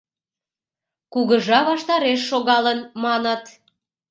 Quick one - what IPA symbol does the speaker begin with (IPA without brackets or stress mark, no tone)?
k